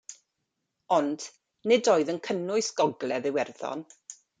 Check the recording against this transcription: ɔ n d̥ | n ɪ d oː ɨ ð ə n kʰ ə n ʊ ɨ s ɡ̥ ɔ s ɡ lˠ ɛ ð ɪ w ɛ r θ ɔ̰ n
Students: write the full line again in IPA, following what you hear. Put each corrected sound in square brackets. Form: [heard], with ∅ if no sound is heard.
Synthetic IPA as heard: ɔ n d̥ | n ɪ d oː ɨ ð ə n kʰ ə n ʊ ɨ s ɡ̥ ɔ [∅] ɡ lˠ ɛ ð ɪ w ɛ r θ ɔ̰ n